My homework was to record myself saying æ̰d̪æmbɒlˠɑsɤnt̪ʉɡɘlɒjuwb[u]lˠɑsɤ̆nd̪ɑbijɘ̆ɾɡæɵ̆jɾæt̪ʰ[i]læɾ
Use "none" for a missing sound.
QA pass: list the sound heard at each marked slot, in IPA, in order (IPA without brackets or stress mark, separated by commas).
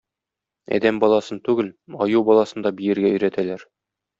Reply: ɒ, æ